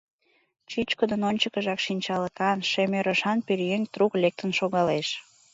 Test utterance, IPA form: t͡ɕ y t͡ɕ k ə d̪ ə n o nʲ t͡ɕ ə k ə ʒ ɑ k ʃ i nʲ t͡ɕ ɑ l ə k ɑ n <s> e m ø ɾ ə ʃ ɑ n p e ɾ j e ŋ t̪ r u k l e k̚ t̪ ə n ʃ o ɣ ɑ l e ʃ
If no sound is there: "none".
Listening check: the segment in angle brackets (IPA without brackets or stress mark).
ʃ